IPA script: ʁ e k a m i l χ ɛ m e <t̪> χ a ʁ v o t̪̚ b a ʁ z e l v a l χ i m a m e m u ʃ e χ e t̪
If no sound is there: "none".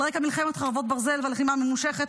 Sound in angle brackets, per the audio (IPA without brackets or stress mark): t̪